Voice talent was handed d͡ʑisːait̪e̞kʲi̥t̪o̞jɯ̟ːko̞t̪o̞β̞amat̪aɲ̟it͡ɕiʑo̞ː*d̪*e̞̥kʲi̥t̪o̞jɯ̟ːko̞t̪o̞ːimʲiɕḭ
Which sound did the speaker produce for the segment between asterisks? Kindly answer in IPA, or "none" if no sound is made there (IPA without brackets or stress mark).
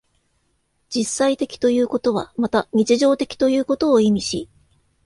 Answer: t̪